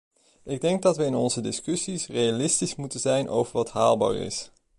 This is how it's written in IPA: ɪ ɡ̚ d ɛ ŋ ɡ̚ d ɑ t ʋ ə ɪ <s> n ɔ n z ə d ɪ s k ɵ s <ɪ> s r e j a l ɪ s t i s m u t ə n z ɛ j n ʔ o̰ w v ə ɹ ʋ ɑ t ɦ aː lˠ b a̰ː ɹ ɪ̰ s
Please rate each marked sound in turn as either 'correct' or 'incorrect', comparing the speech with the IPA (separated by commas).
incorrect, incorrect